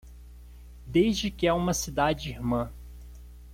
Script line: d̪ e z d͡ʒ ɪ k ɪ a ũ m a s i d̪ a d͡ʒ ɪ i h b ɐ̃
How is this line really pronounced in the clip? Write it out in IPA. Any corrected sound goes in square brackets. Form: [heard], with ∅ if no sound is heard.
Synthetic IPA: d̪ e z d͡ʒ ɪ k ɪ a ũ m [ɐ] s i d̪ a d͡ʒ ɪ i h [m] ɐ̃